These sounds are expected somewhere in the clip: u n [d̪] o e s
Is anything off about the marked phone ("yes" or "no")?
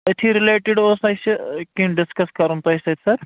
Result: yes